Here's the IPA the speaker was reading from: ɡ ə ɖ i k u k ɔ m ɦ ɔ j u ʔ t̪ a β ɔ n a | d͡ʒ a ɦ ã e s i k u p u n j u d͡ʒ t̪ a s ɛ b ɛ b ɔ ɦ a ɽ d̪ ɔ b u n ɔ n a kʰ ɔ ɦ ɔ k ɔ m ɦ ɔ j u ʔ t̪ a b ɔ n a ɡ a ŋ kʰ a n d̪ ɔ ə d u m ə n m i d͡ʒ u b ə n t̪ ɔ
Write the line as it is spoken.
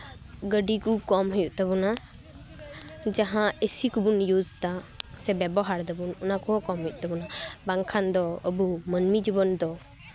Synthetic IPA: ɡ ə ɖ i k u k ɔ m ɦ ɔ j u ʔ t̪ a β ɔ n a | d͡ʒ a ɦ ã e s i k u b u n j u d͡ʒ t̪ a s ɛ b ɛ b ɔ ɦ a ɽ d̪ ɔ b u n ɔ n a k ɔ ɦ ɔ k ɔ m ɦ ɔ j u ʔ t̪ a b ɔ n a b a ŋ kʰ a n d̪ ɔ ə b u m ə n m i d͡ʒ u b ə n d̪ ɔ